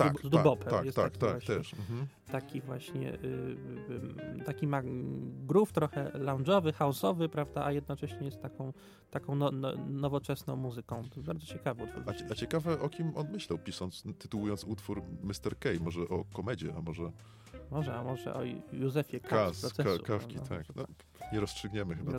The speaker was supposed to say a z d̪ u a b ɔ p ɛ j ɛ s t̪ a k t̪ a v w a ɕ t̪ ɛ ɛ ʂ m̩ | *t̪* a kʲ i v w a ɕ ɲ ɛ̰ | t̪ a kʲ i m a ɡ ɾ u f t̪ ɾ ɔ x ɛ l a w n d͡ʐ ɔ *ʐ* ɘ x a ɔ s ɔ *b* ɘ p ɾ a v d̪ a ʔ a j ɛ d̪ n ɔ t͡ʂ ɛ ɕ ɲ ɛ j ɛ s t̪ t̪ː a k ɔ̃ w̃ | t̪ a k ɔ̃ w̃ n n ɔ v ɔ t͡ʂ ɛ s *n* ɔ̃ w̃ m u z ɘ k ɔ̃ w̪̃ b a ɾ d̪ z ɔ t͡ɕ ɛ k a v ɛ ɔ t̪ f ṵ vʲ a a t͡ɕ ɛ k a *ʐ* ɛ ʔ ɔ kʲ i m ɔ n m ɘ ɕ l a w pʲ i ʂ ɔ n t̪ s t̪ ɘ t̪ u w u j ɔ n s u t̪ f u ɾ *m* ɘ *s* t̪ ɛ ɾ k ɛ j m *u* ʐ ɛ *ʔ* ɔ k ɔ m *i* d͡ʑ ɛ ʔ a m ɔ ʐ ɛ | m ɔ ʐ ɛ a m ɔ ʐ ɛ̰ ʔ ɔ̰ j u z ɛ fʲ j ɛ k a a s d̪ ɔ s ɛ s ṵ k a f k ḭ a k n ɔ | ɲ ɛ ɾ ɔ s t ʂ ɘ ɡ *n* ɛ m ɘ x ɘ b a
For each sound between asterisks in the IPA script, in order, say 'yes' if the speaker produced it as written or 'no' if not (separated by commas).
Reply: yes, no, no, yes, no, yes, yes, no, yes, no, no